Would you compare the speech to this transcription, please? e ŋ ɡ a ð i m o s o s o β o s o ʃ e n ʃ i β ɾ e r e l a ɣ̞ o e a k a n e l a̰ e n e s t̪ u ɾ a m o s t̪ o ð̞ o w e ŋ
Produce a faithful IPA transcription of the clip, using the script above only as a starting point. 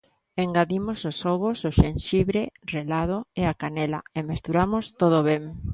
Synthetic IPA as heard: e ŋ ɡ a ð i m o s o s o β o s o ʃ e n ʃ i β ɾ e r e l a ð̞ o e a k a n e l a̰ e m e s t̪ u ɾ a m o s t̪ o ð̞ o β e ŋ